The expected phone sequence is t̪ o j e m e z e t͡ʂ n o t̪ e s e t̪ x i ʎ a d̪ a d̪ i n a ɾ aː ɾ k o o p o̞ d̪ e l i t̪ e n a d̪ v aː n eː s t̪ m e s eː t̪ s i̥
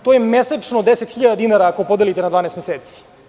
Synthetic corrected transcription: t̪ o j e m e s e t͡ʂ n o d̪ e s e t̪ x i ʎ a d̪ a d̪ i n a ɾ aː k o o p o̞ d̪ e l i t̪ e n a d̪ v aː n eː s t̪ m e s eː t̪ s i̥